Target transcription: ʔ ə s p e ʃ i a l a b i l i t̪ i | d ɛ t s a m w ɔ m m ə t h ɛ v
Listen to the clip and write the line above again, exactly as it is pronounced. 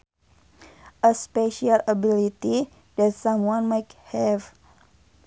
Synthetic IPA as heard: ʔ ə s p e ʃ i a l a b i l i t̪ i | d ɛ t s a m w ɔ n m a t h ɛ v